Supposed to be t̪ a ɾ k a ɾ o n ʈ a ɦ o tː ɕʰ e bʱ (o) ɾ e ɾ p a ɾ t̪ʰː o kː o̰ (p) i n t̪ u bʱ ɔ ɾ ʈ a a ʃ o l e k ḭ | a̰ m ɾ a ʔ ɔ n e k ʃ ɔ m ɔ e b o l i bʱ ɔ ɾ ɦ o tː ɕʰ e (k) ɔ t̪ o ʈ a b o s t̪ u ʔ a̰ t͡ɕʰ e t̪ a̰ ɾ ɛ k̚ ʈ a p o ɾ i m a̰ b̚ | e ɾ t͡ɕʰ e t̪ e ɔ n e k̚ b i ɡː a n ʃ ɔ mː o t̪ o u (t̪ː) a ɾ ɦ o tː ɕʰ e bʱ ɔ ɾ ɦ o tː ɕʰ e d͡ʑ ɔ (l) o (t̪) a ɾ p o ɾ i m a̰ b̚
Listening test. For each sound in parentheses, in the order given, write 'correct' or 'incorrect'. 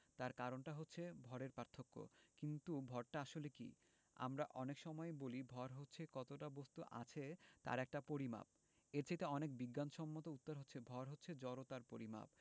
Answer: incorrect, incorrect, correct, correct, incorrect, correct

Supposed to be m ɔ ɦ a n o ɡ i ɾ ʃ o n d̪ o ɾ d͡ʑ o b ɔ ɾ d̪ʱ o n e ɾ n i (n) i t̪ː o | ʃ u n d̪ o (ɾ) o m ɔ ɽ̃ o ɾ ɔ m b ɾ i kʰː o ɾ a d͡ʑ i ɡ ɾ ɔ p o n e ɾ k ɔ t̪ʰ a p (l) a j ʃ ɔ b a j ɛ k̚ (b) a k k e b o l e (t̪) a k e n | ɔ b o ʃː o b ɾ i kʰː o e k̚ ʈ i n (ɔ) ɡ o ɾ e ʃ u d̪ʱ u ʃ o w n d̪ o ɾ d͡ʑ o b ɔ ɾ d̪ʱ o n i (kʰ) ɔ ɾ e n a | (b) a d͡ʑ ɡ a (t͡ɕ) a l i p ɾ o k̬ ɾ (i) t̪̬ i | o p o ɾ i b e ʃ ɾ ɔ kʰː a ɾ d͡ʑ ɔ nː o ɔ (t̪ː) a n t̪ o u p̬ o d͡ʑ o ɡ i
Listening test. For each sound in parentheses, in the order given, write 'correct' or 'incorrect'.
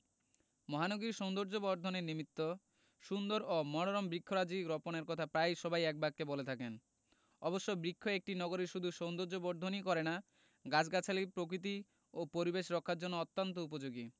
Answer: incorrect, correct, incorrect, correct, incorrect, correct, incorrect, incorrect, incorrect, correct, correct

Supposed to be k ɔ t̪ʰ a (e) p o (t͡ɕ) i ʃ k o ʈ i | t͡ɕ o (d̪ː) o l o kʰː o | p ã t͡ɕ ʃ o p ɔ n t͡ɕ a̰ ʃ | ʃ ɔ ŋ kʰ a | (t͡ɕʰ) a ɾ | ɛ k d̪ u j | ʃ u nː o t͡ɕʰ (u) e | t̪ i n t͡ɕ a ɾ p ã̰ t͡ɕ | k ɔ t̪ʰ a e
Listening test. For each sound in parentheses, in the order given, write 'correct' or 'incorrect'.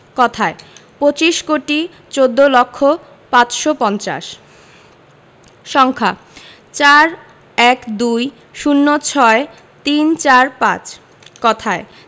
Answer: correct, correct, correct, incorrect, incorrect

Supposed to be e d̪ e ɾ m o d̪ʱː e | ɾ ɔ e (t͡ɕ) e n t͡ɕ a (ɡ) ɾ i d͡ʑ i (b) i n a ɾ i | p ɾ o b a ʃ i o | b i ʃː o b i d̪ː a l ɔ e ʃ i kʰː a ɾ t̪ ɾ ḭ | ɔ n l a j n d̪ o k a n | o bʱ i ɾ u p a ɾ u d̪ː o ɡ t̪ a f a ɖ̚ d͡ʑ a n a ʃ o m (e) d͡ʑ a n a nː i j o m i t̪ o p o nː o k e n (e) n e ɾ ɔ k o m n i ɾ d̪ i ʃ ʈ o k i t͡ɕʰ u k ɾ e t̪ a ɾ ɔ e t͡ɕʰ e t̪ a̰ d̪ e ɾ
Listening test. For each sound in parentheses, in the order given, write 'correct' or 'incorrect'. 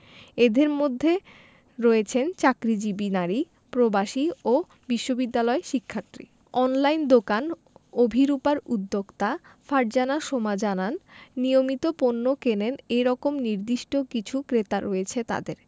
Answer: incorrect, incorrect, correct, incorrect, correct

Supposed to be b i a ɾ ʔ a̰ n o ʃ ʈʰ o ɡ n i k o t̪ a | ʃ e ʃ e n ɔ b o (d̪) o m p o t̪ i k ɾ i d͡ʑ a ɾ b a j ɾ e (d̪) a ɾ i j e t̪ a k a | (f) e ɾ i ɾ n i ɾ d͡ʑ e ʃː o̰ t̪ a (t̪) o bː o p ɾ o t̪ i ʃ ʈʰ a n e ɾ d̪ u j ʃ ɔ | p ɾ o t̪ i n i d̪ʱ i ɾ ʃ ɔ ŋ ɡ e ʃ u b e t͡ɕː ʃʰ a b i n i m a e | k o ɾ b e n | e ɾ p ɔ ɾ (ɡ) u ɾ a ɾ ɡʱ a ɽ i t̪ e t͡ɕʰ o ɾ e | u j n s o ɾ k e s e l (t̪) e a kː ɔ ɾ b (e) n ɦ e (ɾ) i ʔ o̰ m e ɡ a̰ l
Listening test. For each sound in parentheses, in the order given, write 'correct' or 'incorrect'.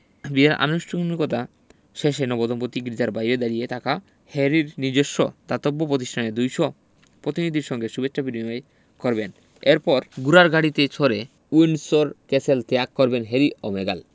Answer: correct, correct, incorrect, correct, correct, correct, correct, correct

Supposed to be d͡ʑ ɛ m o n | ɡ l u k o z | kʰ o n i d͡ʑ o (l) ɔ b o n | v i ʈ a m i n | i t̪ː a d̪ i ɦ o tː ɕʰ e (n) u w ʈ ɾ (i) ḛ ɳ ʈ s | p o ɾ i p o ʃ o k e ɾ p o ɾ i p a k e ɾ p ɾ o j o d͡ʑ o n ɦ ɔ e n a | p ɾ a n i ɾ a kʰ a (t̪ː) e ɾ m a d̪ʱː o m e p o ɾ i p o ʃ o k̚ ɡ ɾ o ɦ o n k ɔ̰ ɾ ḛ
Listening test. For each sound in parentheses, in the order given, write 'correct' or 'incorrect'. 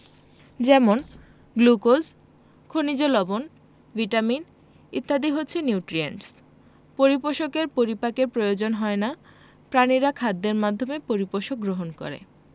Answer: correct, correct, correct, incorrect

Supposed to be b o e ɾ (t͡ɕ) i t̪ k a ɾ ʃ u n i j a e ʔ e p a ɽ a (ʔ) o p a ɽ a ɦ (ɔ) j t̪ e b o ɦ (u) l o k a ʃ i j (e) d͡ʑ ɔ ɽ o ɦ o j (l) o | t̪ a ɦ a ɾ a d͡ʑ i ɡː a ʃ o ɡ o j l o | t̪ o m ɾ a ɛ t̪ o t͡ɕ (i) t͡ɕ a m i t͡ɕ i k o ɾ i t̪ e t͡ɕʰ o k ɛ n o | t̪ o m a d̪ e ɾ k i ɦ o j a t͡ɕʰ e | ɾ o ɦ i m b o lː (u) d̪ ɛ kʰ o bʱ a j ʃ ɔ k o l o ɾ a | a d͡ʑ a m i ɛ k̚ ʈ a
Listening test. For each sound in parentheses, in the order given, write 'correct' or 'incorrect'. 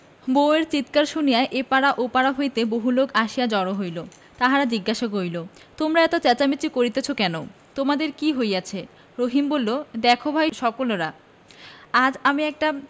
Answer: correct, correct, incorrect, correct, incorrect, correct, incorrect, incorrect

